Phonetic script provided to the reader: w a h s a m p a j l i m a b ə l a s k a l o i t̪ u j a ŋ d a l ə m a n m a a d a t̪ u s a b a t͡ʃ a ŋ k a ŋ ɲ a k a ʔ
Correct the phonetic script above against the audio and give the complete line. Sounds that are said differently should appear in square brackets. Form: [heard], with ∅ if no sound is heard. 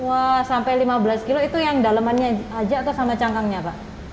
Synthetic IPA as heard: w a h s a m p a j l i m a b ə l a s k [i] l o i t̪ u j a ŋ d a l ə m a n [ɲ] a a [d͡ʒ] a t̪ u s a [m] a t͡ʃ a ŋ k a ŋ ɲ a [p] a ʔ

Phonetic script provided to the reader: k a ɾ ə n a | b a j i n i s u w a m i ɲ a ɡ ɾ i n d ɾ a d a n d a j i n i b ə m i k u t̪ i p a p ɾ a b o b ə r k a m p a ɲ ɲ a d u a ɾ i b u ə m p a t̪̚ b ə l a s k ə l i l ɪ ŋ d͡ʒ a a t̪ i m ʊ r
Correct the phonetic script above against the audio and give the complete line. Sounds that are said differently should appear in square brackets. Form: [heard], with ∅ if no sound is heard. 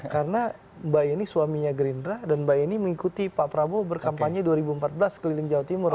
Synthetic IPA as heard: k a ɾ ə n a | b a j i n i s u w a m i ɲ a ɡ ɾ i n d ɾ a d a n [b] a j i n i [m] ə [ŋ] i k u t̪ i p a p ɾ a b o b ə r k a m p a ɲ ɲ a d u a ɾ i b u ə m p a t̪̚ b ə l a s k ə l i l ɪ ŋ d͡ʒ a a t̪ i m ʊ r

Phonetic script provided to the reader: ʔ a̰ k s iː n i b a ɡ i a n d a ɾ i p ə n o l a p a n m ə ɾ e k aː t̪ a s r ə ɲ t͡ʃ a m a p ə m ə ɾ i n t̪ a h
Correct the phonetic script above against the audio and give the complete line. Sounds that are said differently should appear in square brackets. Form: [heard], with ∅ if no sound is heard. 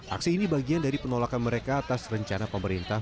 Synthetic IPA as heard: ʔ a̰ k s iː n i b a ɡ i a n d a ɾ i p ə n o l a [k] a n m ə ɾ e k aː t̪ a s r ə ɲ t͡ʃ a [n] a p ə m ə ɾ i n t̪ a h

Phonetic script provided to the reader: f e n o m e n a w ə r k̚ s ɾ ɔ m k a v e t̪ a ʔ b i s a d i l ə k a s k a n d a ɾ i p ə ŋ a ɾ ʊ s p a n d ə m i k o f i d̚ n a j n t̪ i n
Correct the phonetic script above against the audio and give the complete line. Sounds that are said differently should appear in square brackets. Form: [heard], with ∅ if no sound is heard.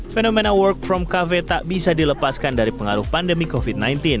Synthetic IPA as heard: f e n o m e n a w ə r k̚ [f] ɾ ɔ m k a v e t̪ a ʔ b i s a d i l ə [p] a s k a n d a ɾ i p ə ŋ a ɾ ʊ [h] p a n d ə m i k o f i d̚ n a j n t̪ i n

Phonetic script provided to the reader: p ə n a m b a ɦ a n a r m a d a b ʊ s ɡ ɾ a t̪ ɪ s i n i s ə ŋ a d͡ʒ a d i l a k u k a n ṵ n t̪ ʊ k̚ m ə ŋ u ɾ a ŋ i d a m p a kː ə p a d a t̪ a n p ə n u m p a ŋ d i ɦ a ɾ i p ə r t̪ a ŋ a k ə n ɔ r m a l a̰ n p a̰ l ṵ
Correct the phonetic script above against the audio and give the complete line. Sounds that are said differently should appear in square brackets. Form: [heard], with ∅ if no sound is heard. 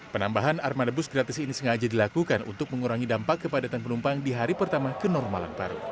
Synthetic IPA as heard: p ə n a m b a ɦ a n a r m a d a b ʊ s ɡ ɾ a t̪ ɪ s i n i s ə ŋ a d͡ʒ a d i l a k u k a n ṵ n t̪ ʊ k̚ m ə ŋ u ɾ a ŋ i d a m p a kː ə p a d a t̪ a n p ə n u m p a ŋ d i ɦ a ɾ i p ə r t̪ a [m] a k ə n ɔ r m a l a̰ n p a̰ [ɾ] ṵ

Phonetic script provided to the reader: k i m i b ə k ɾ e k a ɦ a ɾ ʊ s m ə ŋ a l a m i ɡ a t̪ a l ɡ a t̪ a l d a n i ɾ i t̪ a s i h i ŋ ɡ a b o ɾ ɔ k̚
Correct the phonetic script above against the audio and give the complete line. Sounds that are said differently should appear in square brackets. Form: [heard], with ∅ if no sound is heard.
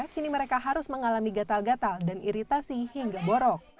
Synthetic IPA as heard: k i [n] i [m] ə [∅] ɾ e k a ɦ a ɾ ʊ s m ə ŋ a l a m i ɡ a t̪ a l ɡ a t̪ a l d a n i ɾ i t̪ a s i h i ŋ ɡ a b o ɾ ɔ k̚

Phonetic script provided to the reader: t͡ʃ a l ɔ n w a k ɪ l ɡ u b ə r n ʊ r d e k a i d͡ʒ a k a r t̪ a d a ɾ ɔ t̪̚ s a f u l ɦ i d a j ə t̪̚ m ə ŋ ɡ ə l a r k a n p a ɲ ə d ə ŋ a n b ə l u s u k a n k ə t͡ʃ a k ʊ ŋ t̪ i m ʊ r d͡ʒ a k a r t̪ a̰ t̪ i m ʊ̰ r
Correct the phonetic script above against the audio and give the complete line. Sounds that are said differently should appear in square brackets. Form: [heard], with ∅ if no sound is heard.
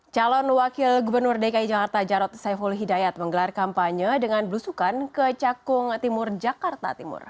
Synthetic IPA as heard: t͡ʃ a l ɔ n w a k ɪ l ɡ u b ə r n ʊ r d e k a i d͡ʒ a k a r t̪ a [d͡ʒ] a ɾ ɔ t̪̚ s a f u l ɦ i d a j [a] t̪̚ m ə ŋ ɡ ə l a r k a [m] p a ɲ ə d ə ŋ a n b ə l u s u k a n k ə t͡ʃ a k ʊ ŋ t̪ i m ʊ r d͡ʒ a k a r t̪ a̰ t̪ i m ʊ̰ r

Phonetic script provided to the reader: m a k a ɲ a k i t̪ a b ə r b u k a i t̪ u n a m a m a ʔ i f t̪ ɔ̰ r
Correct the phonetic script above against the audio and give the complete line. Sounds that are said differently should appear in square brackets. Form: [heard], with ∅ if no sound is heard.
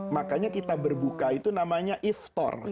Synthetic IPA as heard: m a k a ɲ a k i t̪ a b ə r b u k a i t̪ u n a m a [ɲ] a ʔ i f t̪ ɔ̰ r

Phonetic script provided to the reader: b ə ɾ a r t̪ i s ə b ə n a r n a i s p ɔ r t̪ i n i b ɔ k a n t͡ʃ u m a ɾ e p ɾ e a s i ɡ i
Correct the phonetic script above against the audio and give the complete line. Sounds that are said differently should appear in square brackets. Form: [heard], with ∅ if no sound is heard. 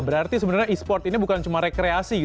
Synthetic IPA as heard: b ə ɾ a r t̪ i s ə b ə n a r [ɲ] a i s p ɔ r t̪ i n i b [u] k a n t͡ʃ u m a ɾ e [k] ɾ e a s i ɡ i

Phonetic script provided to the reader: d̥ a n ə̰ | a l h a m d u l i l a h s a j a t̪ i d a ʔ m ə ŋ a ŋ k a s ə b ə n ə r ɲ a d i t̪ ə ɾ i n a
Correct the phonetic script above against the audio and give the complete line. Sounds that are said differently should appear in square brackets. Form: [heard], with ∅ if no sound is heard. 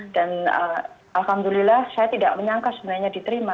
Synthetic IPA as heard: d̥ a n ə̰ | a l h a m d u l i l a h s a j a t̪ i d a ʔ m ə [ɲ] a ŋ k a s ə b ə n [a] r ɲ a d i t̪ ə ɾ i [m] a

